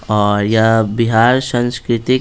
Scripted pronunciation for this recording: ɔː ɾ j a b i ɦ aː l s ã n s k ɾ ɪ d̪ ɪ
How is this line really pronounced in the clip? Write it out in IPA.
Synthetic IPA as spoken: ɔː ɾ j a b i ɦ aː ɾ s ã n s k ɾ ɪ t̪ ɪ